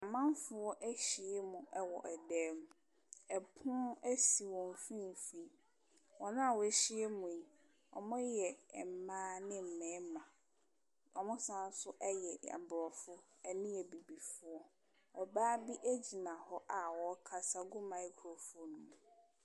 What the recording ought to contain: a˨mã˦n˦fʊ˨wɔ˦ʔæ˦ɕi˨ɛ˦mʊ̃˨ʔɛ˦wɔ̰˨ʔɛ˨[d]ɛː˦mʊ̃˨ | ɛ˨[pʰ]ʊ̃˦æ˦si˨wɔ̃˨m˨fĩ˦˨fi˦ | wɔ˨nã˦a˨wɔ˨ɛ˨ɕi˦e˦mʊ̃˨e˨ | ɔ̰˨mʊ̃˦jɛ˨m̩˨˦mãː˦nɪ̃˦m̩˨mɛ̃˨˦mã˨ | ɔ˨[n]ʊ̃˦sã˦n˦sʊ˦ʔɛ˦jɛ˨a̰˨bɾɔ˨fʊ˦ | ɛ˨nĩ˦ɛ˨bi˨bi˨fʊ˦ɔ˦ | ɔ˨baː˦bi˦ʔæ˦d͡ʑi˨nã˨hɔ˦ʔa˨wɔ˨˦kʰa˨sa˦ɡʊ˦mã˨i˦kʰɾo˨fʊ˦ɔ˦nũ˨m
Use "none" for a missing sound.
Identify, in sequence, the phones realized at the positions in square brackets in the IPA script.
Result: d, pʰ, m

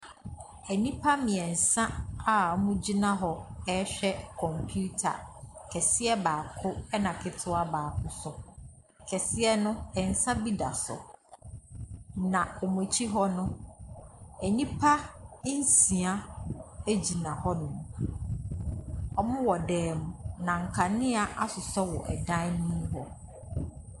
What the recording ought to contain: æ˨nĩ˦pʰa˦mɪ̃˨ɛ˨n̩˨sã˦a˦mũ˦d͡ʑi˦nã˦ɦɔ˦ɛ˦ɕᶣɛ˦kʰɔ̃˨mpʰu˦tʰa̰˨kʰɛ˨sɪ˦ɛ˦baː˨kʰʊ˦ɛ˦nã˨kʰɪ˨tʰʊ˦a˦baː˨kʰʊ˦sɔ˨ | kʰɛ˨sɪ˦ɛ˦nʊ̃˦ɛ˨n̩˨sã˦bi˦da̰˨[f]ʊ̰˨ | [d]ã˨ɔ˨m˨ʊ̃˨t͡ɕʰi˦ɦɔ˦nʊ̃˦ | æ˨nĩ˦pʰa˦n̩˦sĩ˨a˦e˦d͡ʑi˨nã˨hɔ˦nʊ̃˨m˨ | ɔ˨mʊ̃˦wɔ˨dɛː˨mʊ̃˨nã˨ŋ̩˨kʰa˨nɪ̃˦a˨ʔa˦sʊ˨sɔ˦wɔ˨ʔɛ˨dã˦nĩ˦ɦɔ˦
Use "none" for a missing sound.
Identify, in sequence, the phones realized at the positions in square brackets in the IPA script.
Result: s, n

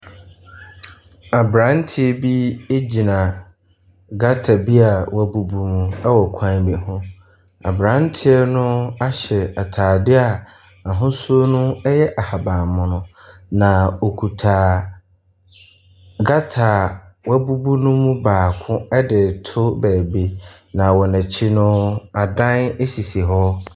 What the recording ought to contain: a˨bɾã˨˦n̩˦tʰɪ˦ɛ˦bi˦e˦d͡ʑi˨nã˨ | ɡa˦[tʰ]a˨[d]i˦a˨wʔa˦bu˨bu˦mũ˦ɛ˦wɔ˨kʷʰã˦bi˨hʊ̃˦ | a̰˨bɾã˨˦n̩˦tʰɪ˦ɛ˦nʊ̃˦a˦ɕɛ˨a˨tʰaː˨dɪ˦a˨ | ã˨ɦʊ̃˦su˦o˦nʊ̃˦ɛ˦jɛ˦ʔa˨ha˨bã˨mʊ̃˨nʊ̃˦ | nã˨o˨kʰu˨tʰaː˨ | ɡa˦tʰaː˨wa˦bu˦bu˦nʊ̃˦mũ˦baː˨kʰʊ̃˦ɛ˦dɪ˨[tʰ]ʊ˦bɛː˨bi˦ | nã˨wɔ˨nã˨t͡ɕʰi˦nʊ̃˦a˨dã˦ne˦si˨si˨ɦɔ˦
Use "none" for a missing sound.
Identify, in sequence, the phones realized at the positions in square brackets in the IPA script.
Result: tʰ, b, tʰ

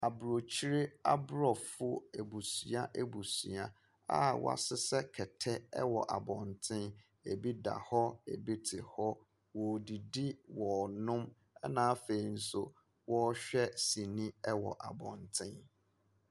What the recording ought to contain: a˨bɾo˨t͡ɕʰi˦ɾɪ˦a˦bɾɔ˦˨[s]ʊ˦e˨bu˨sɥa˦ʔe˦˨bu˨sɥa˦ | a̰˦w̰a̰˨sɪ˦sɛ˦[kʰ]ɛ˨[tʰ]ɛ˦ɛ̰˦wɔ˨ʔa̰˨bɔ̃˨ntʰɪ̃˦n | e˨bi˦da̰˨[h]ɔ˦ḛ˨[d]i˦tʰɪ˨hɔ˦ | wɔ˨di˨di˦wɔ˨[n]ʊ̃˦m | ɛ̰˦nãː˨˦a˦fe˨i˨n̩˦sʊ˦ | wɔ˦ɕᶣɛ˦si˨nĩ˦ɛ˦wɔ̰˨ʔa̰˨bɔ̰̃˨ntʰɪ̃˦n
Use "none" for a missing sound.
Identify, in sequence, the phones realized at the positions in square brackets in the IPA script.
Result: f, kʰ, tʰ, h, b, n

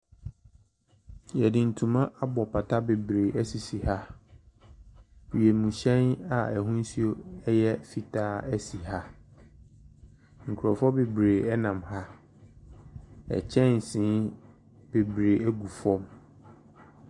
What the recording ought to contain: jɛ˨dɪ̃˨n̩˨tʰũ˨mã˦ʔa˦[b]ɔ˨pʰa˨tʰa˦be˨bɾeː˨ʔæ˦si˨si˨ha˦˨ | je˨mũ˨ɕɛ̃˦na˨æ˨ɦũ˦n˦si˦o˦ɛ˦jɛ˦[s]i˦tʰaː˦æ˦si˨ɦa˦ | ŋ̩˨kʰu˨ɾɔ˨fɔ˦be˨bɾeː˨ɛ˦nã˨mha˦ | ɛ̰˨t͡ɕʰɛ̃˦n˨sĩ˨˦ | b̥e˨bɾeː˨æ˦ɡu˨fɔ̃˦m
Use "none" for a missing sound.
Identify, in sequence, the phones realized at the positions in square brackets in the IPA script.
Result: b, f

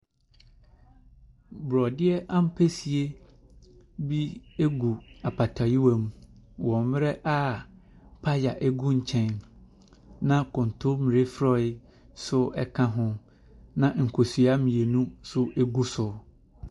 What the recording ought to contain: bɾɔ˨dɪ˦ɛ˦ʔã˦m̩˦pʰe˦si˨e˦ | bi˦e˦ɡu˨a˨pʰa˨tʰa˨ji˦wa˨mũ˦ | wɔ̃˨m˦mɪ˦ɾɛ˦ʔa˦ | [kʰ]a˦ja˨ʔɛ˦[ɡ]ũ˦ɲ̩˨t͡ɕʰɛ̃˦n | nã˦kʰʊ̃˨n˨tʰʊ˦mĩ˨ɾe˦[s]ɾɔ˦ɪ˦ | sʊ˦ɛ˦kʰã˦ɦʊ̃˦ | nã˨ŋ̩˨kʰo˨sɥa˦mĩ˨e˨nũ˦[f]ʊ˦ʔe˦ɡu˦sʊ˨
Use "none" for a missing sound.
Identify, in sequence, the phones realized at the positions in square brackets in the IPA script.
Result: pʰ, ɡ, f, s

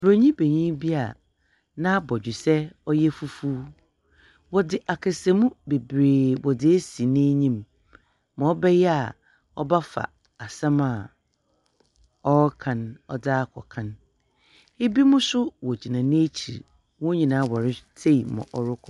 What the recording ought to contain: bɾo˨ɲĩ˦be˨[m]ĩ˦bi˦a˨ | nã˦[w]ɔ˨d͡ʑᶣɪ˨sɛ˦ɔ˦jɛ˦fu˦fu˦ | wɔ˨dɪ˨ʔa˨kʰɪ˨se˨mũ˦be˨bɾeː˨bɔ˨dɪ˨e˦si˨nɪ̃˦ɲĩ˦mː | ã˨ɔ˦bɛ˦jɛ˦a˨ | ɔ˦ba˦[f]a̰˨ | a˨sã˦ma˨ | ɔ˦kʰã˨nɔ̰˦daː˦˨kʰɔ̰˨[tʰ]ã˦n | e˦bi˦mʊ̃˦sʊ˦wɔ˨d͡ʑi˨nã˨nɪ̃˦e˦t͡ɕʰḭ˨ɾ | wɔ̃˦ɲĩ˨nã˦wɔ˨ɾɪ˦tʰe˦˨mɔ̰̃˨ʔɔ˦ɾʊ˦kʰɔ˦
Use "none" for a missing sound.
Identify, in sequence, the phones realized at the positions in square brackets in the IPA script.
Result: ɲ, b, f, kʰ

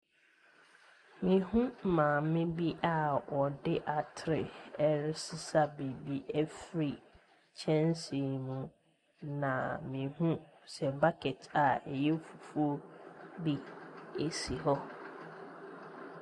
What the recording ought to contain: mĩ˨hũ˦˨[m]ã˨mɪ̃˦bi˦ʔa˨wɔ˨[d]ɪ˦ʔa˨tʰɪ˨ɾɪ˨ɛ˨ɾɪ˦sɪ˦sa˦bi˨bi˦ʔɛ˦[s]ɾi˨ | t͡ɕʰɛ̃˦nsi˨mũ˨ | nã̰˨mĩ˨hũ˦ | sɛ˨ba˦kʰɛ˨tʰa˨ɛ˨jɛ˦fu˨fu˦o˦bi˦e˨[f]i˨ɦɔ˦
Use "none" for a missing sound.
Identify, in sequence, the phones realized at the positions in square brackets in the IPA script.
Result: m, d, f, s

